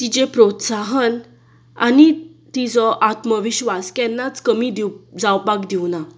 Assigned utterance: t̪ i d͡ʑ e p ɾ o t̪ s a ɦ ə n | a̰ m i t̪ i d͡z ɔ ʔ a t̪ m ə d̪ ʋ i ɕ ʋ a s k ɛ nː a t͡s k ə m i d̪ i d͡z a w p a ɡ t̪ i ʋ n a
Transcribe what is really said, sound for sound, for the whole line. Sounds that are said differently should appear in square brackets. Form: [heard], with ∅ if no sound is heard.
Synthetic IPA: t̪ i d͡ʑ e p ɾ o t̪ s a ɦ ə n | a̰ [n] i t̪ i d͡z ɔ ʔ a t̪ m ə [∅] ʋ i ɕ ʋ a s k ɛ nː a t͡s k ə m i d̪ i d͡z a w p a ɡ [d̪] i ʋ n a